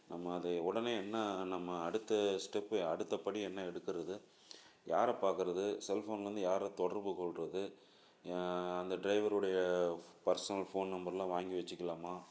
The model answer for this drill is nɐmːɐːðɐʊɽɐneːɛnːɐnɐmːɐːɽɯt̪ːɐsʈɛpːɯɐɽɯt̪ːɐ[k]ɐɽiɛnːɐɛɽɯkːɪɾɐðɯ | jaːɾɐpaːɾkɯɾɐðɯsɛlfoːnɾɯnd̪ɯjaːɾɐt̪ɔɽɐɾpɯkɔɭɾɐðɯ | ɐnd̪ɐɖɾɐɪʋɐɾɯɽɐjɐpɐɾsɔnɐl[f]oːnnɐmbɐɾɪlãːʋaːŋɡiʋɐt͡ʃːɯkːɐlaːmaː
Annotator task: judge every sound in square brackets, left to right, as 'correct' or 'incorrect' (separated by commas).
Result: incorrect, correct